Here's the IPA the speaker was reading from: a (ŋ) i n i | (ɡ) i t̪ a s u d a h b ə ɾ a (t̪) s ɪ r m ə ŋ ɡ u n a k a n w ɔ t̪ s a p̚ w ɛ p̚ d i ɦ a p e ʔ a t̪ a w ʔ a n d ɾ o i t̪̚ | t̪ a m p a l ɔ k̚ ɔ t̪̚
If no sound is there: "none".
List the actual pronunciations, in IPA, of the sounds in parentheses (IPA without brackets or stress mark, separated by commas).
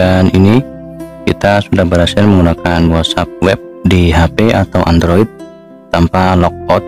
n, k, none